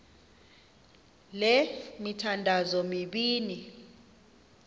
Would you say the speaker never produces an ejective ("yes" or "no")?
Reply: yes